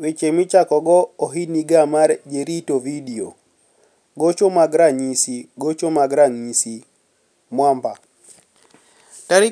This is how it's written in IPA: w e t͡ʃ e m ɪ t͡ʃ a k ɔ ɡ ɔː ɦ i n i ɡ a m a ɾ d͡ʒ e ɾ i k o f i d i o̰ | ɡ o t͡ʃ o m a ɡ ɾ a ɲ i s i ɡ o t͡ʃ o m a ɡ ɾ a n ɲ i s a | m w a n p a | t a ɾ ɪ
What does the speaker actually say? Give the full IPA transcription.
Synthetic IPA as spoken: w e t͡ʃ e m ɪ t͡ʃ a k ɔ ɡ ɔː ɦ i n i ɡ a m a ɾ d͡ʒ e ɾ i t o v i d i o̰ | ɡ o t͡ʃ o m a ɡ ɾ a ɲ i s i ɡ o t͡ʃ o m a ɡ ɾ a ŋ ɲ i s i | m w a m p a | t a ɾ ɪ